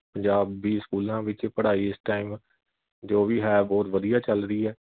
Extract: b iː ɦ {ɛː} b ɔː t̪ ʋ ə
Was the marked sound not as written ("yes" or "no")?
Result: no